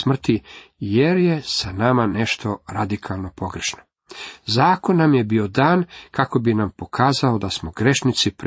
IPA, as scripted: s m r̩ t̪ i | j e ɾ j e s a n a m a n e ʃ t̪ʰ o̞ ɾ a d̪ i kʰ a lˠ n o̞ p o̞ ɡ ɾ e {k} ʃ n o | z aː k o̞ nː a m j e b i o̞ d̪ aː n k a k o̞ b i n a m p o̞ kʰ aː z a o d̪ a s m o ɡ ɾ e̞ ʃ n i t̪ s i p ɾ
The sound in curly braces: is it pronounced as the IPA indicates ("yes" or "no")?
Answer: no